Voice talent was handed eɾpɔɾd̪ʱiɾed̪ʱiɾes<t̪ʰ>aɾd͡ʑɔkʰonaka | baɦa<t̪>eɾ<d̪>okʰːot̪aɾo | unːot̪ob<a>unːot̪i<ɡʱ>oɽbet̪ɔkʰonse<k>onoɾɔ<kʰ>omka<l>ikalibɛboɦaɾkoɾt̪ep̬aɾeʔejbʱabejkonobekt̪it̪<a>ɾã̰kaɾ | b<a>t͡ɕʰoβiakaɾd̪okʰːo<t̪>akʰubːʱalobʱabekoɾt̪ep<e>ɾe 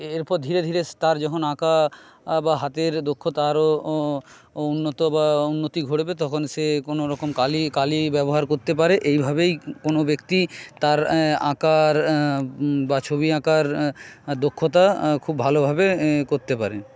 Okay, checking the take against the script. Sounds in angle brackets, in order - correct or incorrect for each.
incorrect, correct, correct, correct, correct, correct, incorrect, correct, correct, correct, correct, incorrect

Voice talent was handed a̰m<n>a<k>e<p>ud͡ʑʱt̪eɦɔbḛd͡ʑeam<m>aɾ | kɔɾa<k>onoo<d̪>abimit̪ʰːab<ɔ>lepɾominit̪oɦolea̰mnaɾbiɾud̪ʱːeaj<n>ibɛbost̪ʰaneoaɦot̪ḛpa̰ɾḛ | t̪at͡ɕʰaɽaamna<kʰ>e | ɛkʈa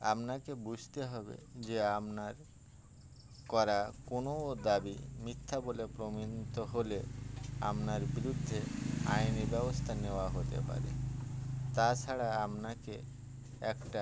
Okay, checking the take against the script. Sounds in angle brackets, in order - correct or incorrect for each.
correct, correct, incorrect, incorrect, correct, correct, incorrect, correct, incorrect

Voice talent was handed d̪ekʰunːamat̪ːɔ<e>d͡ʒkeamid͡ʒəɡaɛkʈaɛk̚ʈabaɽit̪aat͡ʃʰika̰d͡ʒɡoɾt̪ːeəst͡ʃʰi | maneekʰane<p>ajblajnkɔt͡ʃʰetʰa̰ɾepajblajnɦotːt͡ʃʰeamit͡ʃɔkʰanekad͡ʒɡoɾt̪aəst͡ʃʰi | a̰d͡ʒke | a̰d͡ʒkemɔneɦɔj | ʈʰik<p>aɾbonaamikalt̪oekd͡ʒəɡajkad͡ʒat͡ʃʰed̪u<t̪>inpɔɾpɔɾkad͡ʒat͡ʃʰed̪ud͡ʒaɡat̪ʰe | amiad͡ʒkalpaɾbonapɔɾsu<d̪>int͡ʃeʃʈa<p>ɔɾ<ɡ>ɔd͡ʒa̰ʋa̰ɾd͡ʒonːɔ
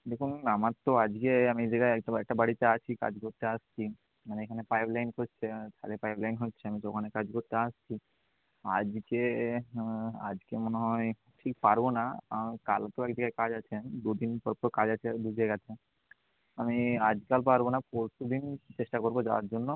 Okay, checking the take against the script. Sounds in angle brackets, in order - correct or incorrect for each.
incorrect, correct, correct, incorrect, correct, incorrect, incorrect

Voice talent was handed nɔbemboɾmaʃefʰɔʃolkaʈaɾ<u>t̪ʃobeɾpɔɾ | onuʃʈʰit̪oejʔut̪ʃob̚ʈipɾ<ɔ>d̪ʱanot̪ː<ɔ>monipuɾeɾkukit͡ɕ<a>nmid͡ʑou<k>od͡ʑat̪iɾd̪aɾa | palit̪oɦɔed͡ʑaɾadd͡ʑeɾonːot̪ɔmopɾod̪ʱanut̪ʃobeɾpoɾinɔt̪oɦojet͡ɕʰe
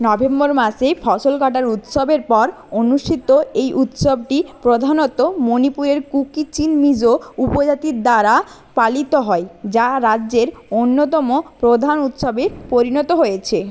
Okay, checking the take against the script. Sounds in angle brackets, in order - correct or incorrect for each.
correct, incorrect, incorrect, incorrect, incorrect

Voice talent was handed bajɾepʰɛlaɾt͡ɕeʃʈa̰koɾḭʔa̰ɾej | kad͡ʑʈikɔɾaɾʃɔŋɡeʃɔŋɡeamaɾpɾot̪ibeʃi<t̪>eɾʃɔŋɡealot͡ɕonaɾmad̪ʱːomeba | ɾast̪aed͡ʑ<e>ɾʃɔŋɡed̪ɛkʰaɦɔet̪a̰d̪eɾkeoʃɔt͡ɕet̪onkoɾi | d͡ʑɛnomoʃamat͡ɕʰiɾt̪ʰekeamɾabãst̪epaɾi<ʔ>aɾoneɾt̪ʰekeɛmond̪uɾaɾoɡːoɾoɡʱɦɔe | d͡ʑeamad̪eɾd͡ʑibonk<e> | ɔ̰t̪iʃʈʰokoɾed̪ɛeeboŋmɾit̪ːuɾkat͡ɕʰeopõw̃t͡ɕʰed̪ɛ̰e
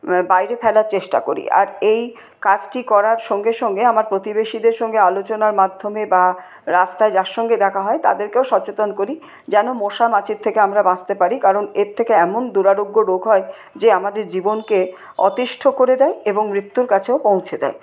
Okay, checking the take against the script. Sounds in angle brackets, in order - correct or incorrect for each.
incorrect, incorrect, incorrect, correct

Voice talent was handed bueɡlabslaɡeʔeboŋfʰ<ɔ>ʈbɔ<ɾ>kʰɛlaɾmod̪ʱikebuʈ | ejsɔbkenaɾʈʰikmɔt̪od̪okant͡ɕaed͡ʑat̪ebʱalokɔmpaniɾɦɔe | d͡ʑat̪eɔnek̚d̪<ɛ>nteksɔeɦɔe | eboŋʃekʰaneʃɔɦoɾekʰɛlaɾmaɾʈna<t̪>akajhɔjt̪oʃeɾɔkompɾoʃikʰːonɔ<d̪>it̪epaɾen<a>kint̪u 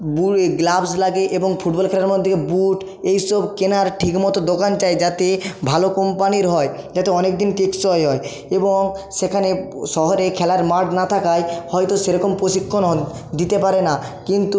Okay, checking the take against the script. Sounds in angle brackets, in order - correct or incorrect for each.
incorrect, incorrect, incorrect, incorrect, correct, correct

